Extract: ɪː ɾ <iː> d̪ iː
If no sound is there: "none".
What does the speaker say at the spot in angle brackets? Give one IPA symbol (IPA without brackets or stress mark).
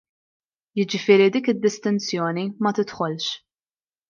i